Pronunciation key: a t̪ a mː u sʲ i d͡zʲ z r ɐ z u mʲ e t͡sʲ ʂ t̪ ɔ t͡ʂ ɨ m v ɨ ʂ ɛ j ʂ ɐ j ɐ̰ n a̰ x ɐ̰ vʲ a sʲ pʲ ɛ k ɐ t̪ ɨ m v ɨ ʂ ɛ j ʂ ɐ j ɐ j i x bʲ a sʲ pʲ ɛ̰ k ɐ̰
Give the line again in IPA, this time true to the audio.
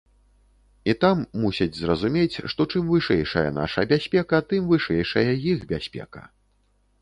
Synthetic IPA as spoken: i t̪ a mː u sʲ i d͡zʲ z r ɐ z u mʲ e t͡sʲ ʂ t̪ ɔ t͡ʂ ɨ m v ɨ ʂ ɛ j ʂ ɐ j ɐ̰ n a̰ ʂ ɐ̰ bʲ a sʲ pʲ ɛ k ɐ t̪ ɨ m v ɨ ʂ ɛ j ʂ ɐ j ɐ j i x bʲ a sʲ pʲ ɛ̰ k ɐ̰

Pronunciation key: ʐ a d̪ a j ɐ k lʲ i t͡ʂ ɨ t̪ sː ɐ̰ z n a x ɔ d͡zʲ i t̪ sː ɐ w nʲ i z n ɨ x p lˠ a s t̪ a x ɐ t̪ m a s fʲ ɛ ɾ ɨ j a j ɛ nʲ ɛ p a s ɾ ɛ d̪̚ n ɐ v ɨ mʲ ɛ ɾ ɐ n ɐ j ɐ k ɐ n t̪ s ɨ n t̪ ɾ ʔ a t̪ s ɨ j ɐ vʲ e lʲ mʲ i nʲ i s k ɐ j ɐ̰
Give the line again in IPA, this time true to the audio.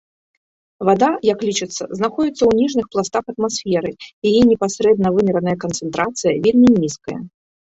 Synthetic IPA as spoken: v a d̪ a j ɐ k lʲ i t͡ʂ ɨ t̪ sː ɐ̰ z n a x ɔ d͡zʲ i t̪ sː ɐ w nʲ i ʐ n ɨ x p lˠ a s t̪ a x ɐ t̪ m a s fʲ ɛ ɾ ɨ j a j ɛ nʲ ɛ p a s ɾ ɛ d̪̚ n ɐ v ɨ mʲ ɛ ɾ ɐ n ɐ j ɐ k ɐ n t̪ s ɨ n t̪ ɾ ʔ a t̪ s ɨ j ɐ vʲ e lʲ mʲ i nʲ i s k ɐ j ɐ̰

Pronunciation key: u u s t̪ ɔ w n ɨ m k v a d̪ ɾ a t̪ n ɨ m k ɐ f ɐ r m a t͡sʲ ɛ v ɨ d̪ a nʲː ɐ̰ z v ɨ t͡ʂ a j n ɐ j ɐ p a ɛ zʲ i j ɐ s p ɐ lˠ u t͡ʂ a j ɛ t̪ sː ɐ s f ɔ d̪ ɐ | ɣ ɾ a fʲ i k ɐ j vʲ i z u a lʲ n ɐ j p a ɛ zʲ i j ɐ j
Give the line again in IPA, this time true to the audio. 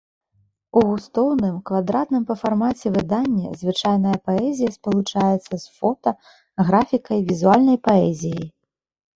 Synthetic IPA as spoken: u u s t̪ ɔ w n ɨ m k v a d̪ ɾ a t̪ n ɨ m p ɐ f a r m a t͡sʲ ɛ v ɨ d̪ a nʲː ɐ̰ z v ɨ t͡ʂ a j n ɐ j ɐ p a ɛ zʲ i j ɐ s p ɐ lˠ u t͡ʂ a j ɛ t̪ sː ɐ s f ɔ t̪ ɐ | ɣ ɾ a fʲ i k ɐ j vʲ i z u a lʲ n ɐ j p a ɛ zʲ i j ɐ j

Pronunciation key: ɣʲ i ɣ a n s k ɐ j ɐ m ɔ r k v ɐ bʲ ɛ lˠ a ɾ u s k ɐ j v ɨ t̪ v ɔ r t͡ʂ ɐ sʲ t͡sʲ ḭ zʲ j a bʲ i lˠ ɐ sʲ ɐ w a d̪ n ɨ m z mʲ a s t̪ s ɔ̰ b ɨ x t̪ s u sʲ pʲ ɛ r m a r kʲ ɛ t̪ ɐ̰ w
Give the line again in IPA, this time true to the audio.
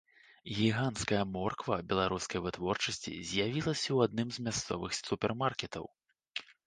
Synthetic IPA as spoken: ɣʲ i ɣ a n s k ɐ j ɐ m ɔ r k v ɐ bʲ ɛ lˠ a ɾ u s k ɐ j v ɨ t̪ v ɔ r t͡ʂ ɐ sʲ t͡sʲ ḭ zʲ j a vʲ i lˠ ɐ sʲ ɐ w a d̪ n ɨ m z mʲ a s t̪ s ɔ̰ v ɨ x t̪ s u pʲ ɛ r m a r kʲ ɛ t̪ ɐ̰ w

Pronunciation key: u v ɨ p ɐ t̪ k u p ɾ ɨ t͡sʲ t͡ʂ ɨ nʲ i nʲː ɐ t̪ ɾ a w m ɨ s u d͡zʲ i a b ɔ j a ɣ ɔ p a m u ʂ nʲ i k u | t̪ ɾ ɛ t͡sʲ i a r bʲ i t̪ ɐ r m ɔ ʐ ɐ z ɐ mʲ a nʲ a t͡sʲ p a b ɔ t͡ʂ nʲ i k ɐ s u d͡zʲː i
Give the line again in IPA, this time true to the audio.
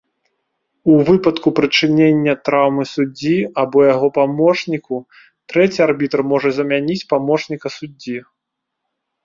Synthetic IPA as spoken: u v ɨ p ɐ t̪ k u p ɾ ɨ t͡ʂ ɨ nʲ e nʲː ɐ t̪ ɾ a w m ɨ s u d͡zʲ i a b ɔ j a ɣ ɔ p a m ɔ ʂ nʲ i k u | t̪ ɾ ɛ t͡sʲ i a r bʲ i t̪ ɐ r m ɔ ʐ ɐ z ɐ mʲ a nʲ i t͡sʲ p a m ɔ t͡ʂ nʲ i k ɐ s u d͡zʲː i

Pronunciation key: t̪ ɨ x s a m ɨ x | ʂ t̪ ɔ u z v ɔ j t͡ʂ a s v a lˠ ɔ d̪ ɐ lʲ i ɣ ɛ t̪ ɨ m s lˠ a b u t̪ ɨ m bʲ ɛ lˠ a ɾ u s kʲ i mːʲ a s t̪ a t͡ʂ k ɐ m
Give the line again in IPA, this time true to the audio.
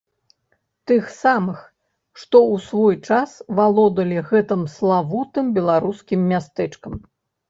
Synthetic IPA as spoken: t̪ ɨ x s a m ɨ x | ʂ t̪ ɔ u s v ɔ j t͡ʂ a s v a lˠ ɔ d̪ ɐ lʲ i ɣ ɛ t̪ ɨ m s lˠ a v u t̪ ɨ m bʲ ɛ lˠ a ɾ u s kʲ i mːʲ a s t̪ ɛ t͡ʂ k ɐ m

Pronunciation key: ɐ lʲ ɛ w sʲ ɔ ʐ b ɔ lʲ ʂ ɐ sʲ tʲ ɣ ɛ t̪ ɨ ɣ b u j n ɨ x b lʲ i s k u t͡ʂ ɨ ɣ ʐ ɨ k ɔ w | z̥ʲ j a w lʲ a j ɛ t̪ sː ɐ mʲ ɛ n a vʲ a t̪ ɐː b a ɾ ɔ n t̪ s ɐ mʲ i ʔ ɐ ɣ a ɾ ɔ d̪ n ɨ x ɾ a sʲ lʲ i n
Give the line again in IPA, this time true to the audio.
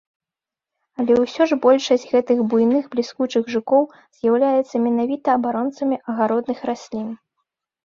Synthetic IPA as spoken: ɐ lʲ ɛ w sʲ ɔ ʐ b ɔ lʲ ʂ ɐ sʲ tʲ ɣ ɛ t̪ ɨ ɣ b u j n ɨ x b lʲ i s k u t͡ʂ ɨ ɣ ʐ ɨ k ɔ w | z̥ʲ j a w lʲ a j ɛ t̪ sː ɐ mʲ ɛ n a vʲ i t̪ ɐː b a ɾ ɔ n t̪ s ɐ mʲ i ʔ ɐ ɣ a ɾ ɔ d̪ n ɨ x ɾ a sʲ lʲ i n

